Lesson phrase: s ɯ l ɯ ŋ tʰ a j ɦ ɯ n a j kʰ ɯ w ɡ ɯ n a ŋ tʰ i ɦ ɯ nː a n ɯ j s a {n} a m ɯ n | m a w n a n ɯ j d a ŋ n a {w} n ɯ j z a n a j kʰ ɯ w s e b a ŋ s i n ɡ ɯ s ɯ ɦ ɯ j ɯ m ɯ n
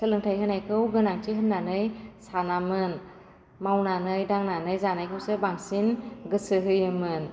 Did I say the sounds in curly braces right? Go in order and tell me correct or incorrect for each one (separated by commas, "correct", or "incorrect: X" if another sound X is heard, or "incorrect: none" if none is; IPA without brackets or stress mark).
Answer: correct, incorrect: none